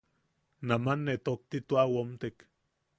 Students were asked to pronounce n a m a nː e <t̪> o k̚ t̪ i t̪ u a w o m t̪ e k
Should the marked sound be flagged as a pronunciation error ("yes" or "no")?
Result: no